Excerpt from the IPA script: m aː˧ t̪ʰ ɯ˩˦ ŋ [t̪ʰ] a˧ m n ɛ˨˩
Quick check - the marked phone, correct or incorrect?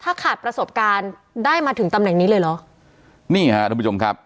incorrect: t̪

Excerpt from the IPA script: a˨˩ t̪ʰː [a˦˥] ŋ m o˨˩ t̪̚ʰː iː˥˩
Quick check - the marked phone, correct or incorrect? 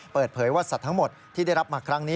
correct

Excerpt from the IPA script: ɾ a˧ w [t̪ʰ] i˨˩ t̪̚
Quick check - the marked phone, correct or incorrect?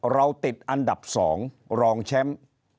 incorrect: t̪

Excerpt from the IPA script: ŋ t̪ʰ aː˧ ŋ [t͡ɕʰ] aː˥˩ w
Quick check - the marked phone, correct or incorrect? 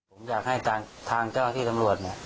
incorrect: t͡ɕ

